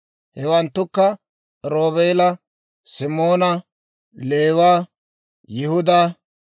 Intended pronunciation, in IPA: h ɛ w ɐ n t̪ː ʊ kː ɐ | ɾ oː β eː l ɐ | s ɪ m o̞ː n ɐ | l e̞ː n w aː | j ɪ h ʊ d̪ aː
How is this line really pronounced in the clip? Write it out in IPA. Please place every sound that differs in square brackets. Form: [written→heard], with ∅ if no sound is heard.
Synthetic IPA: h ɛ w ɐ n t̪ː ʊ kː ɐ | ɾ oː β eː l ɐ | s ɪ m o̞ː n ɐ | l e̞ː [n→∅] w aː | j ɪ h ʊ d̪ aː